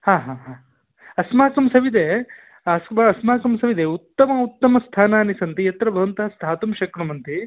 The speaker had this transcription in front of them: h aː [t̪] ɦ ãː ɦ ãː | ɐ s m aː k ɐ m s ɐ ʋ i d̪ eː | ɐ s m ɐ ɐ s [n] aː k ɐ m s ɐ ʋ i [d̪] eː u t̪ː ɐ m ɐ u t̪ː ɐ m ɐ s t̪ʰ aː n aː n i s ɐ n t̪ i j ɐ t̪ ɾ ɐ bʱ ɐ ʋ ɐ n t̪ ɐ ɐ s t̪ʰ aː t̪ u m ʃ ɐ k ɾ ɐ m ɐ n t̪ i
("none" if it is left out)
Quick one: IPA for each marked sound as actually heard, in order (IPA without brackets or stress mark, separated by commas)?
none, m, d̪